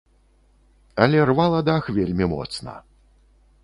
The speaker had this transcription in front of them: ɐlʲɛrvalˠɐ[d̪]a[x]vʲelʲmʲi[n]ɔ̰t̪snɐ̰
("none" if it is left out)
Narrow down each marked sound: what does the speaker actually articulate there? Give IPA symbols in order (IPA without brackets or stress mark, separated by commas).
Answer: d̪, x, m